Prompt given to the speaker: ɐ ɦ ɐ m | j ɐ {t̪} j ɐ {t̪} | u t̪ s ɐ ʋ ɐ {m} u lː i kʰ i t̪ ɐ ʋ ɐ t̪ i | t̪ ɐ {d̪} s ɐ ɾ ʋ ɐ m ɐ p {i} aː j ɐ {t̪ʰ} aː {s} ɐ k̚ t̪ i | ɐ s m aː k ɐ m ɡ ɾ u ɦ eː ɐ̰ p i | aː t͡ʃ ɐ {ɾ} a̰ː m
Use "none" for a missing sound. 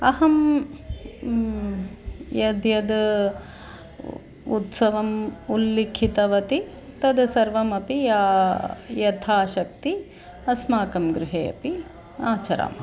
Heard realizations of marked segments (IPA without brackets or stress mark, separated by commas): d̪, d̪, m, d̪, i, t̪ʰ, ʃ, ɾ